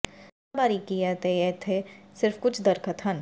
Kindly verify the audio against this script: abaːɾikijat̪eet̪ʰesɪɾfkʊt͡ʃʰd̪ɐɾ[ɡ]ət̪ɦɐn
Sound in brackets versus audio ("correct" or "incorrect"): incorrect